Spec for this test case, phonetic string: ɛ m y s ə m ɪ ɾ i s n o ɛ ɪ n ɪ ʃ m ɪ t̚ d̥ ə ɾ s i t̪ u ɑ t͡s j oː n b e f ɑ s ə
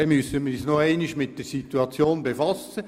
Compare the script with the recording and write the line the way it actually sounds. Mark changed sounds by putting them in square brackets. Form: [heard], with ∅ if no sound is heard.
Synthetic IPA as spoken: ɛ m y s ə m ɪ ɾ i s n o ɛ ɪ n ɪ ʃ m ɪ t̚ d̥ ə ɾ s i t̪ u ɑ t͡s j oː n b e f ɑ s ə